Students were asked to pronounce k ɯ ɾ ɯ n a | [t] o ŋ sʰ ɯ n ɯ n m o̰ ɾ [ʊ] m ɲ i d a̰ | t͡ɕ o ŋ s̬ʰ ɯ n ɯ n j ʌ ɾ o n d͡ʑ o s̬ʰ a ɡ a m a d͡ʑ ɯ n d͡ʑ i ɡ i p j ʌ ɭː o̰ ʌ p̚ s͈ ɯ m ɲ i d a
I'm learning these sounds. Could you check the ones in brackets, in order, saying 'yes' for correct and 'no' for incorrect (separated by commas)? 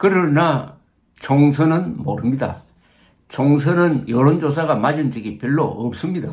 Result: no, no